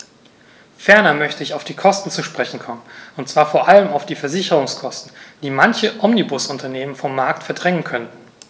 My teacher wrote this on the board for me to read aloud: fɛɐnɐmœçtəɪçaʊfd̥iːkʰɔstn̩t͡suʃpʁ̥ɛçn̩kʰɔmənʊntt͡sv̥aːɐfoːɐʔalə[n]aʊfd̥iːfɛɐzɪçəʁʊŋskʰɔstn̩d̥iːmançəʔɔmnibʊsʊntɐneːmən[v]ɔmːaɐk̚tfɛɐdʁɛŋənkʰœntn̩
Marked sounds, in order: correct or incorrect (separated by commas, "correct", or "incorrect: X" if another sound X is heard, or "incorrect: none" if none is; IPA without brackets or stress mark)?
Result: incorrect: m, incorrect: f